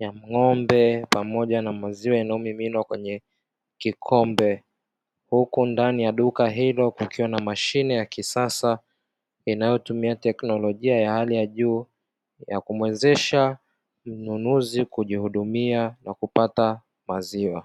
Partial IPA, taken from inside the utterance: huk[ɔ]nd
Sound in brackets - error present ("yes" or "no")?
yes